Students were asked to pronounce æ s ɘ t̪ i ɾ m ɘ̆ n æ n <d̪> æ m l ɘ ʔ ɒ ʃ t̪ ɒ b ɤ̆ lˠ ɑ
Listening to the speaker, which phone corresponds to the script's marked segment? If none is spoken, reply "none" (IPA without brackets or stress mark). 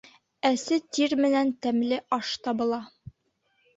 t̪